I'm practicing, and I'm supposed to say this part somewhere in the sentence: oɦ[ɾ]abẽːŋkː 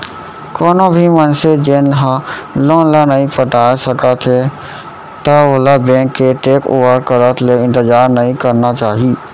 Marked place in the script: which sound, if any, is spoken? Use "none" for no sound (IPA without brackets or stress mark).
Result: l